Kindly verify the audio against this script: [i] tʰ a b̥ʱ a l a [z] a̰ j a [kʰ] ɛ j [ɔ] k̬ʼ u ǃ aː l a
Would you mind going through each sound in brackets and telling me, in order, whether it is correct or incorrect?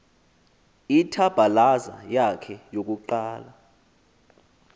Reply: correct, correct, correct, incorrect: o

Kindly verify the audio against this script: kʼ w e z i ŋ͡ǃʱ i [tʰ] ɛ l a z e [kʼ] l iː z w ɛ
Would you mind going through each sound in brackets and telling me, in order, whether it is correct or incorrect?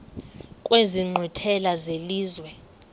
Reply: correct, incorrect: none

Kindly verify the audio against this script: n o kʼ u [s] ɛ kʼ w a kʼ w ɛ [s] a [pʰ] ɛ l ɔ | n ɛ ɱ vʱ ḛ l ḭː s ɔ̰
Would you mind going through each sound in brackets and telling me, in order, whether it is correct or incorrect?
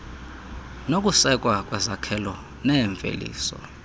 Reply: correct, incorrect: z, incorrect: kʰ

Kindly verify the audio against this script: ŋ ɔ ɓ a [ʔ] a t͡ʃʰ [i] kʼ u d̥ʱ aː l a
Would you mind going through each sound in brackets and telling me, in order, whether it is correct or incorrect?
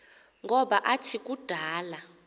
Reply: correct, correct

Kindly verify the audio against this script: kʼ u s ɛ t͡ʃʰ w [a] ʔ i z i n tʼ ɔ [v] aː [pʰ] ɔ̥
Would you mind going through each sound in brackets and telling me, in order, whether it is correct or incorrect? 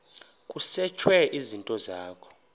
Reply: incorrect: ɛ, incorrect: z, incorrect: kʰ

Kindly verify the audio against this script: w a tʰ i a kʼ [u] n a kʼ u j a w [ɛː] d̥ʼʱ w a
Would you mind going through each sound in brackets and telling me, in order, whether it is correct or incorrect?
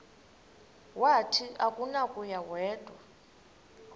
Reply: correct, correct

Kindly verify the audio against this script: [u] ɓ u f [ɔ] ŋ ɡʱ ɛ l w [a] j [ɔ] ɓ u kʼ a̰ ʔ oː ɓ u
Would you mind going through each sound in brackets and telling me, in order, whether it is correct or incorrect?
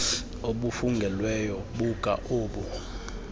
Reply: incorrect: o, incorrect: u, incorrect: ɛ, correct

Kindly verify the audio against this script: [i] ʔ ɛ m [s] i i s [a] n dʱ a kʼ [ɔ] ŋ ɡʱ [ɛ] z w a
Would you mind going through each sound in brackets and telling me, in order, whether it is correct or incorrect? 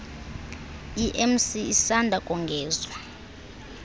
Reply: correct, correct, correct, correct, incorrect: ɛː

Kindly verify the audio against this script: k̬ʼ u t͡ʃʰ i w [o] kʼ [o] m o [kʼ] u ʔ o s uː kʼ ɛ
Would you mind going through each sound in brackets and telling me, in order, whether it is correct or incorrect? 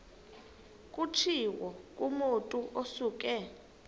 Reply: incorrect: ɔ, incorrect: u, incorrect: tʼ

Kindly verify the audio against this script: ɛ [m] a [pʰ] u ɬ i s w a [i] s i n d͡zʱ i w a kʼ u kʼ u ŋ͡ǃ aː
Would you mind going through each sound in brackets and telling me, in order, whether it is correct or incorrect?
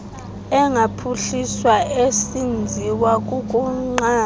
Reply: incorrect: ŋ, correct, incorrect: e

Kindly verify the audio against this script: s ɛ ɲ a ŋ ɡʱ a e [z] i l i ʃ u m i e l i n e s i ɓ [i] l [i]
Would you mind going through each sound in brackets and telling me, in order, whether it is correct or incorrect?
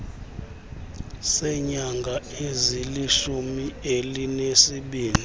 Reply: correct, incorrect: iː, correct

